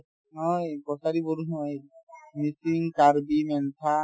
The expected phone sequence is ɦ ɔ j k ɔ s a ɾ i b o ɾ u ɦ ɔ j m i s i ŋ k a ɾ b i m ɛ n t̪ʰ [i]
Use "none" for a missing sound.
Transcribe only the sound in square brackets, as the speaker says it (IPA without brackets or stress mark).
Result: a